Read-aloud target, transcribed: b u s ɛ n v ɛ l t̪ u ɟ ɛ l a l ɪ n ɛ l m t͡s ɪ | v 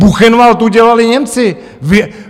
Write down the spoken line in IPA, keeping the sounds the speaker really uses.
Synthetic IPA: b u x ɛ n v a l t̪ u ɟ ɛ l a l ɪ ɲ ɛ m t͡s ɪ | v